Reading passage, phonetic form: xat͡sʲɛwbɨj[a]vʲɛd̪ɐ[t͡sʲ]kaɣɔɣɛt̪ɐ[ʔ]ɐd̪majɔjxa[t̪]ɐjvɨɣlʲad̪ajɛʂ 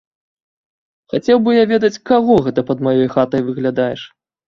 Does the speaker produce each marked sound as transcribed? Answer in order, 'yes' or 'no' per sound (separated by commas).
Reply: yes, yes, no, yes